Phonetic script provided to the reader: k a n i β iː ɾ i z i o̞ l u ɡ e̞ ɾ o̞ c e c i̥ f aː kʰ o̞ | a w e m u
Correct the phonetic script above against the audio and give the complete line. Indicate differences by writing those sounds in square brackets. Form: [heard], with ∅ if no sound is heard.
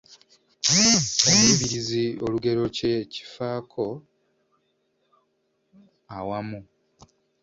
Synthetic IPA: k a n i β [i] ɾ i z i o̞ l u ɡ e̞ ɾ o̞ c e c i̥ f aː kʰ o̞ | a w [a] m u